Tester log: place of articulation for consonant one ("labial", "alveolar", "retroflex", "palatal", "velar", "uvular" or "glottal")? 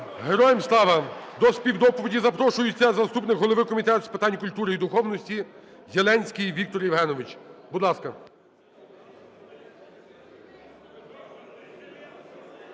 glottal